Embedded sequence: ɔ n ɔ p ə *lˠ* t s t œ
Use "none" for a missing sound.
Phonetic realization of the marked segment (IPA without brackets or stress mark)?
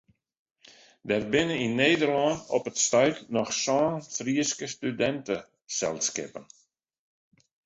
none